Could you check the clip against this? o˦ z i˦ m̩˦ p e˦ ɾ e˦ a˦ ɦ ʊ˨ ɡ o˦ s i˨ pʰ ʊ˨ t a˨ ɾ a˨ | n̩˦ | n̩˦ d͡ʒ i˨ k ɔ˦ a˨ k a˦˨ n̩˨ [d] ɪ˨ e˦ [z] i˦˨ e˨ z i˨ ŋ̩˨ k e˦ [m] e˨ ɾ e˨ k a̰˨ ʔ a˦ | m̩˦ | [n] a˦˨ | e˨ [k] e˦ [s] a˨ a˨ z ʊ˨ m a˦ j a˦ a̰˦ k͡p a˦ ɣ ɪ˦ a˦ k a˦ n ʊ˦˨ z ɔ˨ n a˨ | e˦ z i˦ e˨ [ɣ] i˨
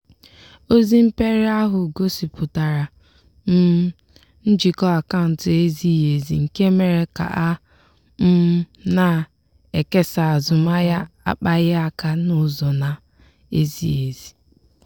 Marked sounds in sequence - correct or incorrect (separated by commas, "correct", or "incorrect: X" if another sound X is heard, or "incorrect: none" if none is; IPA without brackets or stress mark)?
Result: incorrect: t, correct, correct, correct, correct, correct, incorrect: z